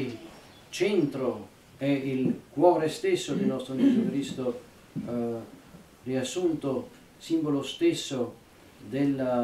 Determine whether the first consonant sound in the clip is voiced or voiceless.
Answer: voiceless